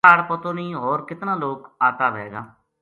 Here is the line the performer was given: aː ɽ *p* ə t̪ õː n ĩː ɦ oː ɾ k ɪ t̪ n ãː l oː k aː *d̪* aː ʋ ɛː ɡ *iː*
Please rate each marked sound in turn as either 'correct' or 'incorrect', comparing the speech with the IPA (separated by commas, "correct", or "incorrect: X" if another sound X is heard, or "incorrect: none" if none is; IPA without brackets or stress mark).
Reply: correct, incorrect: t̪, incorrect: aː